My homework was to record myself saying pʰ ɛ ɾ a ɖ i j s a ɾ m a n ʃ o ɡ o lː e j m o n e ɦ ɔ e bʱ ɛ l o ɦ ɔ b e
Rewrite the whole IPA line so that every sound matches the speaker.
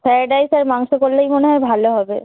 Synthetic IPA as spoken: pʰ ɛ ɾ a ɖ a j s a ɾ m a ŋ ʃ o k o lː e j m o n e ɦ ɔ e bʱ a l o ɦ ɔ b e

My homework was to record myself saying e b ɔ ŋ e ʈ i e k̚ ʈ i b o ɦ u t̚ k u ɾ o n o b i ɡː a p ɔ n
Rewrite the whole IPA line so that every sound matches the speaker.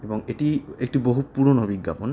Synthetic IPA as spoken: e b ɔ ŋ e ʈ i e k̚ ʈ i b o ɦ u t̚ p u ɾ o n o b i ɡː a p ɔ n

